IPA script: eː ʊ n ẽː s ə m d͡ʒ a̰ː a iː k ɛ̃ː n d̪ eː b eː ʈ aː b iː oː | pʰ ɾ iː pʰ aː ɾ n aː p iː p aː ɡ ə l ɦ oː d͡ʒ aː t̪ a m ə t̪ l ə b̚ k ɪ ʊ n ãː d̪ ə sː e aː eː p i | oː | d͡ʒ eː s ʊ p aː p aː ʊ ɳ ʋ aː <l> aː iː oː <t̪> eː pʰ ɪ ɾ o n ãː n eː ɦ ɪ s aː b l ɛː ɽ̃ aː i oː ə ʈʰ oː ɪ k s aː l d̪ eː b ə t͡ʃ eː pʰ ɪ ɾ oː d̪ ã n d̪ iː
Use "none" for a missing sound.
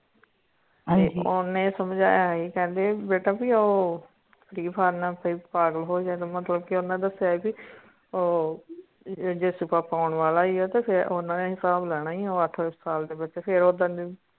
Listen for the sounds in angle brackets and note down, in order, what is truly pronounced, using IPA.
l, t̪

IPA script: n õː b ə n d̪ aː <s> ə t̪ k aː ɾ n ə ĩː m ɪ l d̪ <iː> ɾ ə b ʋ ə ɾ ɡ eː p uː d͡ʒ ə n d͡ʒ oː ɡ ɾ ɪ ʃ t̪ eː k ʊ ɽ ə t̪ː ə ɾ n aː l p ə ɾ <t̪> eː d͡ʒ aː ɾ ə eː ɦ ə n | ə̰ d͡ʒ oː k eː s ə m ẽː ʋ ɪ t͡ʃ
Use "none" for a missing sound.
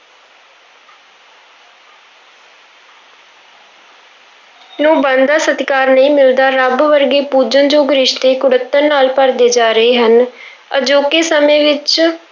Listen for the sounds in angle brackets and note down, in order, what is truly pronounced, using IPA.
s, aː, d̪

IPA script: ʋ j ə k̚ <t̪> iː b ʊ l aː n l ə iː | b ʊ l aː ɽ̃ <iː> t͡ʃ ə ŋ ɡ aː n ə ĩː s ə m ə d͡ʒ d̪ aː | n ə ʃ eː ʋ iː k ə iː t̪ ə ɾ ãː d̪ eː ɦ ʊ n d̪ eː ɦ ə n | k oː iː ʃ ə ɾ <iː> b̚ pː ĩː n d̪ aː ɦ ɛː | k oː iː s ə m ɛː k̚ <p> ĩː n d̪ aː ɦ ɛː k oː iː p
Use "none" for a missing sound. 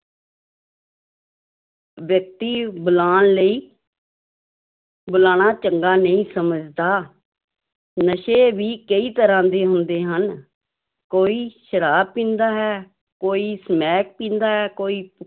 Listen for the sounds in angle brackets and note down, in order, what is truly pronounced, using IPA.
t̪, aː, aː, p

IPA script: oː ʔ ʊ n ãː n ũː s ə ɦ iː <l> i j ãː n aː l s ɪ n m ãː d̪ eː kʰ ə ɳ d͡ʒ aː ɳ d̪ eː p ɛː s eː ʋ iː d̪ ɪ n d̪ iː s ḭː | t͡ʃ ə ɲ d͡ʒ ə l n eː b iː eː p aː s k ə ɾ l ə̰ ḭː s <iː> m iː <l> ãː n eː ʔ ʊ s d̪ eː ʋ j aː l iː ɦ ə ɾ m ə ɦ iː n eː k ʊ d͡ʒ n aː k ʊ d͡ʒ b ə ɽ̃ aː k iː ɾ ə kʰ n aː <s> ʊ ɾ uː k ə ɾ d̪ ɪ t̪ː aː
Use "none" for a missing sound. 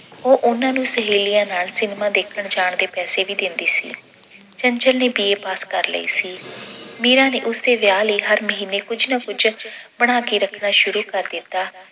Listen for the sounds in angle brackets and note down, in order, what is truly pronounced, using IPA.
l, iː, ɾ, ʃ

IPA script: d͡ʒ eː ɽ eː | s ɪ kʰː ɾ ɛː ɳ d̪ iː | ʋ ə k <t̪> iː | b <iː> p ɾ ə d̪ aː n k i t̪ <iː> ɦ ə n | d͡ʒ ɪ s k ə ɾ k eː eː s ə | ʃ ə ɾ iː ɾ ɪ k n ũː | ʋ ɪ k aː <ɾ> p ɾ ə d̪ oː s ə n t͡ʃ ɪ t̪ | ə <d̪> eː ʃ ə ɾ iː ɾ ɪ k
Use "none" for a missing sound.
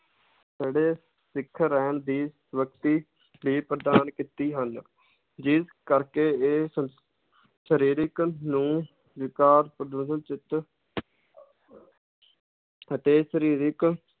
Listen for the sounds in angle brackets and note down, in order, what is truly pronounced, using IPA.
t̪, iː, iː, ɾ, t̪

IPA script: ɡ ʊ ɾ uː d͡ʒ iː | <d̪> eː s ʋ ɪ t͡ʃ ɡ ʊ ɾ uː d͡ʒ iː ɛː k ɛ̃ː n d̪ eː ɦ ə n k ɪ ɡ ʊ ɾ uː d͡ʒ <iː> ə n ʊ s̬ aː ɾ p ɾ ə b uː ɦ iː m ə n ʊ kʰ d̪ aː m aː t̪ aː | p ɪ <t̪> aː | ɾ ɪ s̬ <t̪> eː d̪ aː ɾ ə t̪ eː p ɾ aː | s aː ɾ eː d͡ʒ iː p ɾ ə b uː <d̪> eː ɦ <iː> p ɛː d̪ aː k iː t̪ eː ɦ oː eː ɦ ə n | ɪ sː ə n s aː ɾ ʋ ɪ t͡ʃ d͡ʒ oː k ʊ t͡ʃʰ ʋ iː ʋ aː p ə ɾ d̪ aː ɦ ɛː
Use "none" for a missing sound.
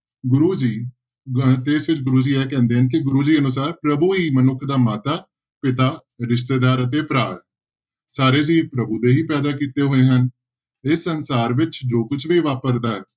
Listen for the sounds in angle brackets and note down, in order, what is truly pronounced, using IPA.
t̪, iː, t̪, t̪, d̪, iː

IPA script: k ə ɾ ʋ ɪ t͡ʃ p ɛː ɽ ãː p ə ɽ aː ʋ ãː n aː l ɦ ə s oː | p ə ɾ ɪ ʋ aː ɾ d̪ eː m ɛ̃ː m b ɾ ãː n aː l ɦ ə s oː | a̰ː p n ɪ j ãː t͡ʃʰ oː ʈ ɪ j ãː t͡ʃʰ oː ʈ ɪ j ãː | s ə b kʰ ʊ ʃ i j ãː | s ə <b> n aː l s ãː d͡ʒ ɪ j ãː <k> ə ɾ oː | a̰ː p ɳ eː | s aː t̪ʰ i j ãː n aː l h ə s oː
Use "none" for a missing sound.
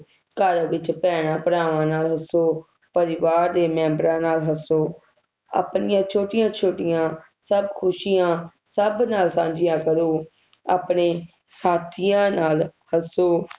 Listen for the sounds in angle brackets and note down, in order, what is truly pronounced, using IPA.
b, k

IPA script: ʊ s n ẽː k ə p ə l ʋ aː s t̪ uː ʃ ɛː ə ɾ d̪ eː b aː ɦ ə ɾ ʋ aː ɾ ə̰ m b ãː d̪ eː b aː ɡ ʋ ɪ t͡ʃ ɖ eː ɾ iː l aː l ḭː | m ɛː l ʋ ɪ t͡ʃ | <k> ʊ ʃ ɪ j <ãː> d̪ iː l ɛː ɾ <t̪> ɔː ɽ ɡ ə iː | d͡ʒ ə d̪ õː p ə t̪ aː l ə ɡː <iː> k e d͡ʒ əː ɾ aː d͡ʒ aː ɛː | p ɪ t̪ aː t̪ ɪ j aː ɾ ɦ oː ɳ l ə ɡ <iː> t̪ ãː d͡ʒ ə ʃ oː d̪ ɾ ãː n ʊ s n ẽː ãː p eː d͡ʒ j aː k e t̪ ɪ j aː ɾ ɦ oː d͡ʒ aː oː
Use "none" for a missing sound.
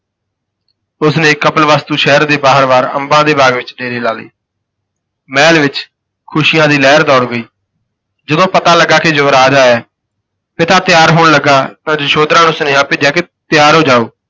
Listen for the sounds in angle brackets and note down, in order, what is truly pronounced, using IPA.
kʰ, ãː, d̪, aː, aː

